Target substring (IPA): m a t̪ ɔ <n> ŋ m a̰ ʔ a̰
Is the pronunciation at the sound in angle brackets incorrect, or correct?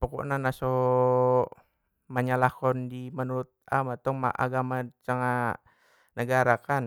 incorrect